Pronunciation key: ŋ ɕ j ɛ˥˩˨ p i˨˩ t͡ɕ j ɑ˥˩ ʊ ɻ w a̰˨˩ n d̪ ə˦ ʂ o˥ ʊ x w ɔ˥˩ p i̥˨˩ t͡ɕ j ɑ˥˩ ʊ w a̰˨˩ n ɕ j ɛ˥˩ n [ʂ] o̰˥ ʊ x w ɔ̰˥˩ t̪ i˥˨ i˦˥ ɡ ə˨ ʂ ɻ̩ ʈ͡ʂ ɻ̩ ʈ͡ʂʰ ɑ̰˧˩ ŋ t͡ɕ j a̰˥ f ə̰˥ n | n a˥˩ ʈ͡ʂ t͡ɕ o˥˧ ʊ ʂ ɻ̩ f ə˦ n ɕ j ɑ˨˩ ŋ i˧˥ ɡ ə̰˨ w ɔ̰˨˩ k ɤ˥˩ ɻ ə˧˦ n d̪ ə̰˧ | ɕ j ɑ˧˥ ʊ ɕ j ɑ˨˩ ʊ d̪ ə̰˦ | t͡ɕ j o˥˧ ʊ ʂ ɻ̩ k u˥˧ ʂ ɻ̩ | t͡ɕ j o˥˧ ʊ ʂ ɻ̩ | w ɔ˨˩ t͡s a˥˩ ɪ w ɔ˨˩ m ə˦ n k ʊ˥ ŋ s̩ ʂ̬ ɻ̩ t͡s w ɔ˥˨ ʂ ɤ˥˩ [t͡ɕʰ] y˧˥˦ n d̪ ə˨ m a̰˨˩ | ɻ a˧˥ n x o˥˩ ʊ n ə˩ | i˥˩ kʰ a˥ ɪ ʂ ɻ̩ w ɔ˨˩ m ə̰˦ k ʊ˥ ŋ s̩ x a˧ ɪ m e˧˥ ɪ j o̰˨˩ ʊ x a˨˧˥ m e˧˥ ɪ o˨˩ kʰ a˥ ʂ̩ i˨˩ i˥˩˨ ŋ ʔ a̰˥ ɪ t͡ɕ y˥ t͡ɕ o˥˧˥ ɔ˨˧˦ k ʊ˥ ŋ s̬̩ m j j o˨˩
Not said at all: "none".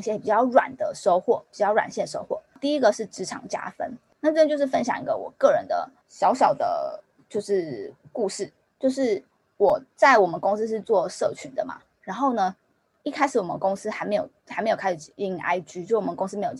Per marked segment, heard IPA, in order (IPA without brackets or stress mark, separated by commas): ʂ, t͡ɕʰ